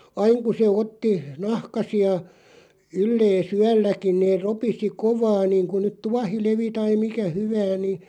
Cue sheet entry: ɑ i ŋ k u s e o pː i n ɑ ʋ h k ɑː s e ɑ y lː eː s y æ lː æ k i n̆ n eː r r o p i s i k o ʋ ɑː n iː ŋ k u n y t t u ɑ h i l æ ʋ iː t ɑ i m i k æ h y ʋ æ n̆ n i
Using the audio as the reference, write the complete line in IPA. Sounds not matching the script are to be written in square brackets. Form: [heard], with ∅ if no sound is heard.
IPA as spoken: ɑ i ŋ k u s e o [tː] i n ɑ [∅] h k [ɑ] s [i] ɑ y lː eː s y æ lː æ k i n̆ n eː r r o p i s i k o ʋ ɑː n iː ŋ k u n y t t u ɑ h i l [e] ʋ [i] t ɑ i m i k æ h y ʋ [æː] n̆ n i